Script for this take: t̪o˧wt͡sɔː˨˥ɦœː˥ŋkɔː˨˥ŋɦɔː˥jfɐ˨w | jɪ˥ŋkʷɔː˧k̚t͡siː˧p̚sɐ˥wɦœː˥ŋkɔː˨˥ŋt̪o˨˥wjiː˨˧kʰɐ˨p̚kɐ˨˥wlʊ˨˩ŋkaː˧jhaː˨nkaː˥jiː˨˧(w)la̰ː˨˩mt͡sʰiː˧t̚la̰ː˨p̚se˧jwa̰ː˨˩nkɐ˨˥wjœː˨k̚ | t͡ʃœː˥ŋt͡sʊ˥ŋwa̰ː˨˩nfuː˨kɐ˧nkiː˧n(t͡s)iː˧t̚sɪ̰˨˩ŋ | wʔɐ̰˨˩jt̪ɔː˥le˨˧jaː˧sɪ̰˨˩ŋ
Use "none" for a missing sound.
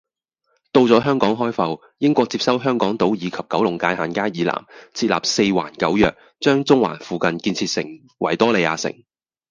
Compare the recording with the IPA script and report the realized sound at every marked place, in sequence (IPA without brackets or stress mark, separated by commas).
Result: none, t͡sʰ